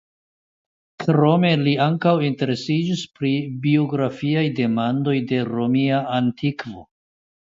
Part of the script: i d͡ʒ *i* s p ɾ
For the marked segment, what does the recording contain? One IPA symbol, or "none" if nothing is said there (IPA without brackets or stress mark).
i